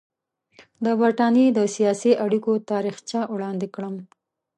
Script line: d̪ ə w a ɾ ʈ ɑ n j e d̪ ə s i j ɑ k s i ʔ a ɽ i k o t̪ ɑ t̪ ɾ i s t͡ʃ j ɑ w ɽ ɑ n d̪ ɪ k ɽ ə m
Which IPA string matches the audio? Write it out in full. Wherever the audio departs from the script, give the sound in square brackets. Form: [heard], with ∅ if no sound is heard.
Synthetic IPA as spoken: d̪ ə [b] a ɾ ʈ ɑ n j e d̪ ə s i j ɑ [∅] s i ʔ a ɽ i k o t̪ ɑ [∅] ɾ i [x] t͡ʃ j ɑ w ɽ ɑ n d̪ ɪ k ɽ ə m